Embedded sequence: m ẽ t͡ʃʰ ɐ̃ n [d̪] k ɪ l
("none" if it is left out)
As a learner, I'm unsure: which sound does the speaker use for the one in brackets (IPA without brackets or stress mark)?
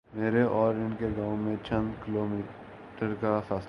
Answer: d̪